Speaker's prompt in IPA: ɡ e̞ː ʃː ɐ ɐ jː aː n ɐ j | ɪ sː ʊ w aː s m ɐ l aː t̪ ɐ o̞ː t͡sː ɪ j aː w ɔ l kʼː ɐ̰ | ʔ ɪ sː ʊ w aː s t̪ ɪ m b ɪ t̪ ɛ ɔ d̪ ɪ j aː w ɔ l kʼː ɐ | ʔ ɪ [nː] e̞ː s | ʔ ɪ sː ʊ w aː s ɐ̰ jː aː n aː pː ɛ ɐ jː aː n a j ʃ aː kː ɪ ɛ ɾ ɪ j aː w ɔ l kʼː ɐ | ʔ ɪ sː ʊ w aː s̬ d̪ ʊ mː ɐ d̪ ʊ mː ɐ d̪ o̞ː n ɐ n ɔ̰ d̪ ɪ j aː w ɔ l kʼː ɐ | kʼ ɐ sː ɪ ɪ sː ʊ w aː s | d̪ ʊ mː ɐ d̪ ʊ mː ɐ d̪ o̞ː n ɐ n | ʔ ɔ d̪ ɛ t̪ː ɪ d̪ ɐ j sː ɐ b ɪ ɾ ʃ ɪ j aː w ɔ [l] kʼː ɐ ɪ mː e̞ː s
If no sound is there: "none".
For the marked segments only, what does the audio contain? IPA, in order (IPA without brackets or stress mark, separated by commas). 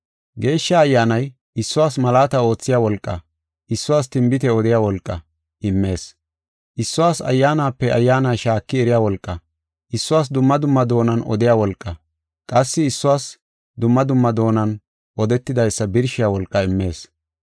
mː, l